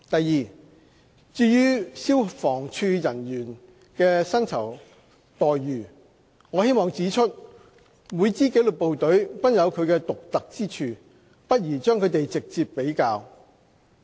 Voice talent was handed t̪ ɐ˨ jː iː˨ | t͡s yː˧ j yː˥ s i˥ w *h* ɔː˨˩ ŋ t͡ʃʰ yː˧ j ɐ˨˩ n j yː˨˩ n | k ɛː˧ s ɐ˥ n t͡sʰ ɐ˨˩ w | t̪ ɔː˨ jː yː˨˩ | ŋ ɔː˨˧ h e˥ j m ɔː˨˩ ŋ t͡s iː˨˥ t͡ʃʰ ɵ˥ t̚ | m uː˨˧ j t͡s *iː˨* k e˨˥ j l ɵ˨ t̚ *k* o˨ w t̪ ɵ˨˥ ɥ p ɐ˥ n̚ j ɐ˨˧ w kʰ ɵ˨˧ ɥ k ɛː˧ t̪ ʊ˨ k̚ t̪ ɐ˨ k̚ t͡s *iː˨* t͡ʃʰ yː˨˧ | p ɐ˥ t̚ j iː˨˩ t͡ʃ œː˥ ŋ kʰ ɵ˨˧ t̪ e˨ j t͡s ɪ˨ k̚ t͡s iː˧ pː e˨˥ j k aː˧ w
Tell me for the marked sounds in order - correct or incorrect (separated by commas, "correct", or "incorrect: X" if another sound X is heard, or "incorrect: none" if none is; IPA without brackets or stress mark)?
incorrect: f, incorrect: iː˥, incorrect: p, incorrect: iː˥